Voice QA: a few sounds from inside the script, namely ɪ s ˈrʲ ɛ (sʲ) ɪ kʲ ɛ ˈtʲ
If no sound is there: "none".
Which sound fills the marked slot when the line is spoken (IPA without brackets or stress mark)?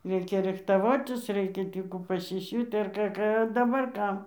none